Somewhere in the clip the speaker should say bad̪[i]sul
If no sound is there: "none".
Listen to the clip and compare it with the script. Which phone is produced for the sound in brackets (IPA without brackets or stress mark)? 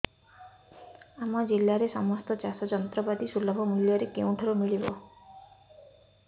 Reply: i